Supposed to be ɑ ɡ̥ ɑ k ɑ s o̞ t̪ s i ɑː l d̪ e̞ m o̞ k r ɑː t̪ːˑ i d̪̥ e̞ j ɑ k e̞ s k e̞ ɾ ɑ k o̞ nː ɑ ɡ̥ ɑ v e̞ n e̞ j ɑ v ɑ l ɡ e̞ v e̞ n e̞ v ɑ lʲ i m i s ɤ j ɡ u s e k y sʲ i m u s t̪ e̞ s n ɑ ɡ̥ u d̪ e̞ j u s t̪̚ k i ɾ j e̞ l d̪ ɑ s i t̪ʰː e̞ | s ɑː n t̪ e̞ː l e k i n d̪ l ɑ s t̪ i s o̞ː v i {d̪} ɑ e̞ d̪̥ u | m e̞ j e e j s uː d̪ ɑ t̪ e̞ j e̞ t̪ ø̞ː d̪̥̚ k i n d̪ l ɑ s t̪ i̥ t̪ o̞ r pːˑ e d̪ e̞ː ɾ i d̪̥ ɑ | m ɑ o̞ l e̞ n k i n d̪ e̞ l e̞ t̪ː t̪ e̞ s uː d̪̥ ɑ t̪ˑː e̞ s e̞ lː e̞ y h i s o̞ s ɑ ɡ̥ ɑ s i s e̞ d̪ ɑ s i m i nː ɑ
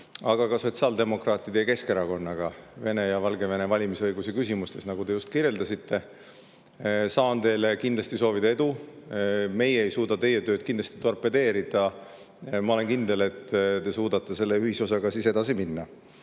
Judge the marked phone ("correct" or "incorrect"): correct